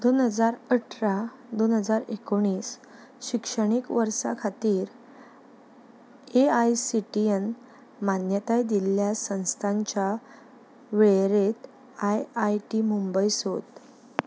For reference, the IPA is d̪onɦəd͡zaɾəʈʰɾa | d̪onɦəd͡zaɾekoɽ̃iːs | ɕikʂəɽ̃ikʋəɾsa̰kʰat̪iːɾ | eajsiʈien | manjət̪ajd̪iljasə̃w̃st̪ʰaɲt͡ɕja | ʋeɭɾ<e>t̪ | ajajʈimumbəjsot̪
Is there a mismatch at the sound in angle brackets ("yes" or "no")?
no